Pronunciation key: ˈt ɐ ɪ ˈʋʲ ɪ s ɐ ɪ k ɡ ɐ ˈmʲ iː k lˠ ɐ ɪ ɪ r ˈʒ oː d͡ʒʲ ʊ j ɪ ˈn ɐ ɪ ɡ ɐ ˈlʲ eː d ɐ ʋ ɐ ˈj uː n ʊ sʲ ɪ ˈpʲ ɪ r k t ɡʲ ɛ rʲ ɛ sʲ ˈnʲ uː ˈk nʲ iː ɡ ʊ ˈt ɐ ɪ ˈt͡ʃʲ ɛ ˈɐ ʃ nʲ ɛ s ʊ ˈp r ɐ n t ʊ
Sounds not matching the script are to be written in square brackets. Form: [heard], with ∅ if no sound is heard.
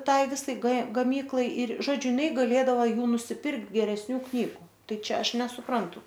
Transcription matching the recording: ˈt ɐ ɪ ˈʋʲ ɪ s ɐ ɪ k ɡ ɐ ˈmʲ iː k lˠ ɐ ɪ ɪ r ˈʒ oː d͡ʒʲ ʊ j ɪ ˈn ɐ ɪ ɡ ɐ ˈlʲ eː d ɐ ʋ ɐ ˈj uː n ʊ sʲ ɪ ˈpʲ ɪ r k t ɡʲ ɛ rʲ ɛ sʲ ˈnʲ uː ˈk nʲ iː ɡ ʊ ˈt ɐ ɪ ˈt͡ʃʲ ɛ ˈɐ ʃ nʲ ɛ s ʊ ˈp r ɐ n t ʊ